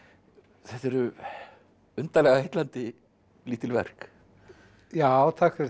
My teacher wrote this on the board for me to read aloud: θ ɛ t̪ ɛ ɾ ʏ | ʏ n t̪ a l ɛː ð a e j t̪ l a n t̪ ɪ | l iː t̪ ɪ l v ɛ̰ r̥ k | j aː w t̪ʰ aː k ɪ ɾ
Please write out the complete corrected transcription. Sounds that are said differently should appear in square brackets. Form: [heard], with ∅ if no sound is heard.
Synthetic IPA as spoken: θ ɛ t̪ ɛ ɾ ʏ | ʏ n t̪ a l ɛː [ɣ] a e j t̪ l a n t̪ ɪ | l iː t̪ ɪ l v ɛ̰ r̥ k | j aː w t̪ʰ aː k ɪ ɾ